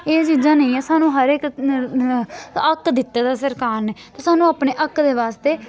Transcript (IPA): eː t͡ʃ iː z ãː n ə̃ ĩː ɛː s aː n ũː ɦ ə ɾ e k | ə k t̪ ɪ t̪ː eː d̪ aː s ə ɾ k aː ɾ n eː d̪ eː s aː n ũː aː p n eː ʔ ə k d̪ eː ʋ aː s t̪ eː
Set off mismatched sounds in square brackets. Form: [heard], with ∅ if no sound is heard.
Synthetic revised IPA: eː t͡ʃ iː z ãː n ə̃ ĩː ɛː s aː n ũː ɦ ə ɾ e k | ə k [d̪] ɪ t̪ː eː d̪ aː s ə ɾ k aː ɾ n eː [t̪] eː s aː n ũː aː p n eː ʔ ə k d̪ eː ʋ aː s t̪ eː